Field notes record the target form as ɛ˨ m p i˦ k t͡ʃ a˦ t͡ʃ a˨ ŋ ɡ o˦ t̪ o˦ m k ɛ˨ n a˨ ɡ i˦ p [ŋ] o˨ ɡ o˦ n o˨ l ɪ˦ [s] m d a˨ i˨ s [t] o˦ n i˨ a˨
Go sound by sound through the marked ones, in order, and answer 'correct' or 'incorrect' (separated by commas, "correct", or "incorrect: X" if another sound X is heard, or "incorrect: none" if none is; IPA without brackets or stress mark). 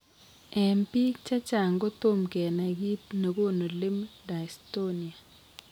incorrect: n, incorrect: none, correct